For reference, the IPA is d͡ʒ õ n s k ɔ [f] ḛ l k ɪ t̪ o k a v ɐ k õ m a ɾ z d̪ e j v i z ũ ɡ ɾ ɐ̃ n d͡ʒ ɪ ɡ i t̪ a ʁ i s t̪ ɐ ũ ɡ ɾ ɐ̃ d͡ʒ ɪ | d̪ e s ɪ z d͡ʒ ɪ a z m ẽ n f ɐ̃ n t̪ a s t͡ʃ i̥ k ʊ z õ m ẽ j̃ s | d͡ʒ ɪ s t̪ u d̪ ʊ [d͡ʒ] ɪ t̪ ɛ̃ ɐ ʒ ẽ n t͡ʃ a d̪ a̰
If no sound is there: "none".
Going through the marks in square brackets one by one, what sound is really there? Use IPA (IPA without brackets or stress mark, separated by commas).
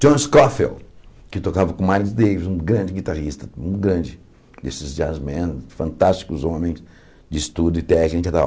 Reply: f, none